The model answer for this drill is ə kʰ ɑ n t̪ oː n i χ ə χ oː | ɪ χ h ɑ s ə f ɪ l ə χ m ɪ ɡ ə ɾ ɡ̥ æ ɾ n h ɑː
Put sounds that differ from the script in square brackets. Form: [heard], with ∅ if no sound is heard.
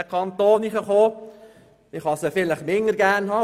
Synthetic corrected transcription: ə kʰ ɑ n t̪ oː n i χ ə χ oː | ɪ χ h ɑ s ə f ɪ l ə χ m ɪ [ŋ] ə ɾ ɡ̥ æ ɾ n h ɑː